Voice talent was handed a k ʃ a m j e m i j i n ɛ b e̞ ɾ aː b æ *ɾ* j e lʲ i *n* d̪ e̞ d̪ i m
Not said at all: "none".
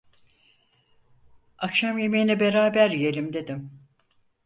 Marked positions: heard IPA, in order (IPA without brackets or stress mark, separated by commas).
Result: ɾ, m